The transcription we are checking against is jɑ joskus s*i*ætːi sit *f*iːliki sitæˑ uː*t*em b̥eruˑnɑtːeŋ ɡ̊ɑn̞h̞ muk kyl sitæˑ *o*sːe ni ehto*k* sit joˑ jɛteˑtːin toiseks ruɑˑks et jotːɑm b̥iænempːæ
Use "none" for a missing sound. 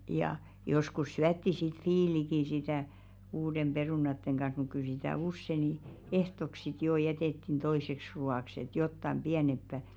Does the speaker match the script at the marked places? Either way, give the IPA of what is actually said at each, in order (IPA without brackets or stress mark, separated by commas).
y, f, d, u, k